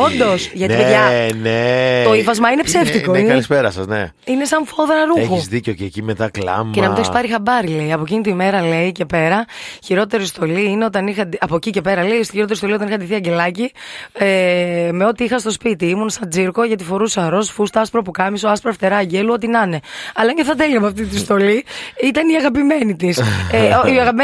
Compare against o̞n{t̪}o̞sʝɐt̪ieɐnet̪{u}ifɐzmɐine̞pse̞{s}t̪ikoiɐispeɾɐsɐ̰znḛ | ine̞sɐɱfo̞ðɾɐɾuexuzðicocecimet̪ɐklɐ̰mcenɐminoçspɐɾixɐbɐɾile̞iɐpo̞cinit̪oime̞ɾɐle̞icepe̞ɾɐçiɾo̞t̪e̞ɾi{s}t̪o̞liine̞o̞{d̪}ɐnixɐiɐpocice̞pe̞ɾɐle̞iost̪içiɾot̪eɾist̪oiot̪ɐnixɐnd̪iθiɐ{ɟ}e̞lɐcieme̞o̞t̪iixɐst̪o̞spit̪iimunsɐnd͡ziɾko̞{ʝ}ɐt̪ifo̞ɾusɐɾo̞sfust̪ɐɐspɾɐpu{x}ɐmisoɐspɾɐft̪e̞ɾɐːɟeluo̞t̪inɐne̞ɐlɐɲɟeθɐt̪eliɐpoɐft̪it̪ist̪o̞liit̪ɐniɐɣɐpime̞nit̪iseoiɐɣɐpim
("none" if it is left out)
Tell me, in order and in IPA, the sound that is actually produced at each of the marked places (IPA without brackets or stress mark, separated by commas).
d̪, o, f, s, t̪, ɟ, ʝ, k